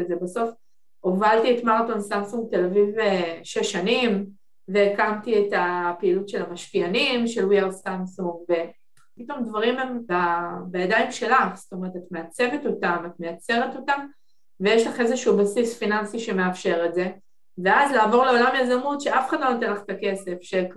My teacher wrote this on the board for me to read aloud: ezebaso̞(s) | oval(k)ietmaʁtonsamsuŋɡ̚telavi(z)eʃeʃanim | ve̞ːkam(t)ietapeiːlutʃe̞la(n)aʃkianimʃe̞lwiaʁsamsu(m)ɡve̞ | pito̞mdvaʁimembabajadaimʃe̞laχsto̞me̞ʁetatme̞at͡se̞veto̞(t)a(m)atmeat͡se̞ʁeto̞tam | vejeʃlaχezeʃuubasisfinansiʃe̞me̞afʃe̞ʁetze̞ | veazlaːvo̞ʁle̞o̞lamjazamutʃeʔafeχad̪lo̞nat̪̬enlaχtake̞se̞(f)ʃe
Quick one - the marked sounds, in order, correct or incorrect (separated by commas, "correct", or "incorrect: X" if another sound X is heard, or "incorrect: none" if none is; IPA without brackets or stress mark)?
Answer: incorrect: f, incorrect: t, incorrect: v, correct, incorrect: m, incorrect: ŋ, correct, correct, correct